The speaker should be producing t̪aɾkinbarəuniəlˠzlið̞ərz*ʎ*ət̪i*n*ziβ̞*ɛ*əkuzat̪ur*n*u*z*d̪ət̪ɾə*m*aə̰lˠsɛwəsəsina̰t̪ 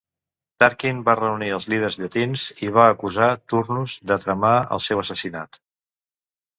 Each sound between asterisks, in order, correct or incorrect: correct, correct, incorrect, correct, correct, correct

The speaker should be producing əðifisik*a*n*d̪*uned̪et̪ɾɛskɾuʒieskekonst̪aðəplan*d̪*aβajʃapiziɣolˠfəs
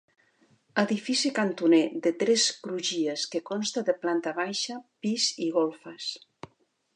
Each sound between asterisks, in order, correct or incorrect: correct, incorrect, incorrect

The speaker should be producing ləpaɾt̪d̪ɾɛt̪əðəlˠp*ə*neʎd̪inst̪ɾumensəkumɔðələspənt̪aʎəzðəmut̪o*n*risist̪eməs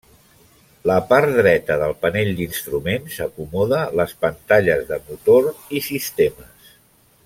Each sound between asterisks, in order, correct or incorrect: correct, incorrect

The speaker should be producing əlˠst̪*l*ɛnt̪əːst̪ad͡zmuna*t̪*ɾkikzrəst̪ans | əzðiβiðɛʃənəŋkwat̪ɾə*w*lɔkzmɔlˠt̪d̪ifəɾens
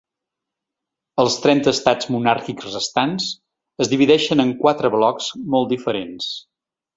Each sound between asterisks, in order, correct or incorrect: incorrect, incorrect, incorrect

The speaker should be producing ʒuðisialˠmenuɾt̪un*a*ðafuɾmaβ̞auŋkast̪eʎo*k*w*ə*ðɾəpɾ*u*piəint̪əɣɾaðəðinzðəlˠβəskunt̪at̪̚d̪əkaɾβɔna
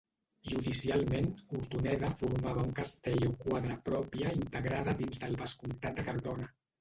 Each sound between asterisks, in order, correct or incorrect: incorrect, correct, incorrect, incorrect

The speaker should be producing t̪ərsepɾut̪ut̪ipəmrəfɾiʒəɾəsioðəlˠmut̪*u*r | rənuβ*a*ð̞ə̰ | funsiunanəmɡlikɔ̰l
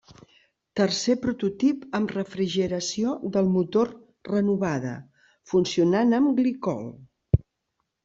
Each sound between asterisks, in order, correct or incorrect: incorrect, correct

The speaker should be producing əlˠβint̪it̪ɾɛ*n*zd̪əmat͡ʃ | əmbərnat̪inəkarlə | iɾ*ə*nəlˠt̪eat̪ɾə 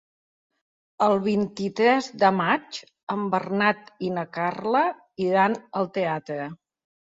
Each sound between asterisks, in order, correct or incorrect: incorrect, incorrect

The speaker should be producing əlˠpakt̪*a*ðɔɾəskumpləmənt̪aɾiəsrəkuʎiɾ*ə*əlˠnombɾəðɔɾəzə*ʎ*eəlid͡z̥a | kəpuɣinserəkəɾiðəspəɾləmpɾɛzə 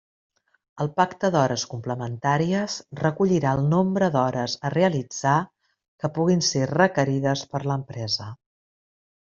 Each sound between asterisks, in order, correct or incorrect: incorrect, incorrect, incorrect

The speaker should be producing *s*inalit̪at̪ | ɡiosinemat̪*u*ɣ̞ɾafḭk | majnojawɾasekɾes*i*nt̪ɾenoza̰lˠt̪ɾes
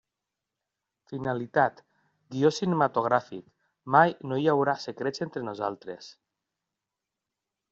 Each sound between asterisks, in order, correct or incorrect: incorrect, incorrect, incorrect

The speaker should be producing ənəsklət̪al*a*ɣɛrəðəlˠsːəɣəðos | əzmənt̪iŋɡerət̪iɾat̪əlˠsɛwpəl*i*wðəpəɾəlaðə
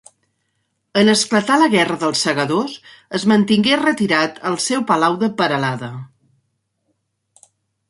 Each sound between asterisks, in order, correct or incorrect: incorrect, incorrect

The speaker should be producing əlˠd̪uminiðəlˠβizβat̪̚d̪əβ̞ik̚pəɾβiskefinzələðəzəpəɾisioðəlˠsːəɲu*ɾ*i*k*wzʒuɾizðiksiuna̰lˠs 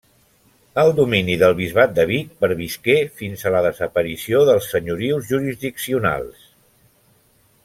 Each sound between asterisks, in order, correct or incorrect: correct, incorrect

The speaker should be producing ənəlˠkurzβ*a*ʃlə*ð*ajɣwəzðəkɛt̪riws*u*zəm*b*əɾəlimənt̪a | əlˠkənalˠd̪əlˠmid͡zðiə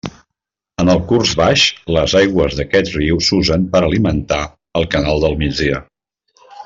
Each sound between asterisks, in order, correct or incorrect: correct, incorrect, correct, incorrect

